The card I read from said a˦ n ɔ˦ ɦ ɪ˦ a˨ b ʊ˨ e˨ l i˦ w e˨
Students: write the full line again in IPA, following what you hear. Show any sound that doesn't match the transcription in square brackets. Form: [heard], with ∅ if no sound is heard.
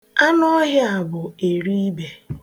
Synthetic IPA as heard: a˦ n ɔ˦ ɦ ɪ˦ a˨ b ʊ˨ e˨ [ɾ] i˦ [b] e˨

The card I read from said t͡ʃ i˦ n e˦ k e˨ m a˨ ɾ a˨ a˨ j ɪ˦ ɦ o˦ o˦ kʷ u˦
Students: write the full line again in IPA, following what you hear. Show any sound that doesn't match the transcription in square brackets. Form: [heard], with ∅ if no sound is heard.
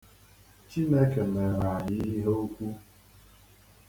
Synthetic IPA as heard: t͡ʃ i˦ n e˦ k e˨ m [e˨] ɾ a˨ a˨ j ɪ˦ ɦ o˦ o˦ kʷ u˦

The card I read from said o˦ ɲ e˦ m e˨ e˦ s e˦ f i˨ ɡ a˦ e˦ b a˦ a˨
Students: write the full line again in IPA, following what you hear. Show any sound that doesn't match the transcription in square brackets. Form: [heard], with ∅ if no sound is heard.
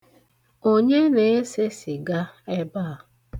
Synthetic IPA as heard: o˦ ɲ e˦ [n] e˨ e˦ s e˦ [s] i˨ ɡ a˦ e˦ b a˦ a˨

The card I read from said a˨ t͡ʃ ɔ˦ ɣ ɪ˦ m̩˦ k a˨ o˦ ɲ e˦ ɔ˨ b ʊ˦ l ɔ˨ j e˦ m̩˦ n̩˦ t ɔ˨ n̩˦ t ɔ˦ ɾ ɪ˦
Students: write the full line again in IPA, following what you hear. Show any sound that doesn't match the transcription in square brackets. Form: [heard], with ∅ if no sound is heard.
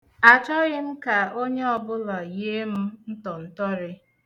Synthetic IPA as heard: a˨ t͡ʃ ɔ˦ ɣ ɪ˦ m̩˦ k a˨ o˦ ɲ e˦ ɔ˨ b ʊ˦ l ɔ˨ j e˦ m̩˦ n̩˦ t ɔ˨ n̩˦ t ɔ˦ ɾ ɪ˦

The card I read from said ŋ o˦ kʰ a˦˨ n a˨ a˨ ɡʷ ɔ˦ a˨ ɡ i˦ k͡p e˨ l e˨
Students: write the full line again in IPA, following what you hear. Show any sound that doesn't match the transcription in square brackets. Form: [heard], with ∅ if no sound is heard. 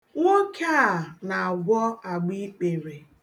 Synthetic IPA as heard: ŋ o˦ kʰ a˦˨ n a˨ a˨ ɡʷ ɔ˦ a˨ [ɡ͡b] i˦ k͡p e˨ [ɾ] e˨

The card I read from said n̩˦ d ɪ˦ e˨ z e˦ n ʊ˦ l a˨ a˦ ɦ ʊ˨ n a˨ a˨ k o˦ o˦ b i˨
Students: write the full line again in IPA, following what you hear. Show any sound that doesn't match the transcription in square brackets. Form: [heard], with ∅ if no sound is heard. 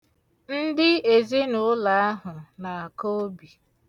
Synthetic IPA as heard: n̩˦ d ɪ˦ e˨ z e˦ n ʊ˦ l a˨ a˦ ɦ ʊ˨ n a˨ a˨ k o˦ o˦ b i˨

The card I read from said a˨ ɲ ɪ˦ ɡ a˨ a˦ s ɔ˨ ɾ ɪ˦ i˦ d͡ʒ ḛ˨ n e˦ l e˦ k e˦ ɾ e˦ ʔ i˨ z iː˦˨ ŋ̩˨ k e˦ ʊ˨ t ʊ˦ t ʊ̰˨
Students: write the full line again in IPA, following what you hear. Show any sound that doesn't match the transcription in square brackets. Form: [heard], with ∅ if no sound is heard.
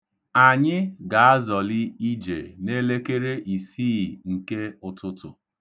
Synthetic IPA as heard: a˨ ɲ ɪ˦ ɡ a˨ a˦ [z] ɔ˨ [l] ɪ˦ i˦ d͡ʒ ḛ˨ n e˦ l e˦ k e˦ ɾ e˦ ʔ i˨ [s] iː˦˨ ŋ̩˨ k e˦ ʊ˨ t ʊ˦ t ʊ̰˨

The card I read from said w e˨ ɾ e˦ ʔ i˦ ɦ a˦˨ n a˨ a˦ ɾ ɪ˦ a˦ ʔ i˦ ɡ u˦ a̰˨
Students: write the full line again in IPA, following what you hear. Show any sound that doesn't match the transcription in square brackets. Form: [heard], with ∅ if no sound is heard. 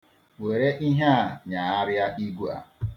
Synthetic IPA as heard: w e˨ ɾ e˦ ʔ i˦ ɦ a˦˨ [ɲ] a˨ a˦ ɾ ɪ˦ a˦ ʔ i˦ ɡ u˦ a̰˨

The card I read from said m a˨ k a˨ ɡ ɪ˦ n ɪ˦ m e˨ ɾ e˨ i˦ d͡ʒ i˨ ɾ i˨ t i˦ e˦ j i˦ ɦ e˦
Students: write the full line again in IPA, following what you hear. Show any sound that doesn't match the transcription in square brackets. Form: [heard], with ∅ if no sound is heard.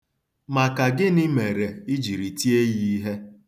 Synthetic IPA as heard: m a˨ k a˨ ɡ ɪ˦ n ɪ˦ m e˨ ɾ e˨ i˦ d͡ʒ i˨ ɾ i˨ t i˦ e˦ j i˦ ɦ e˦

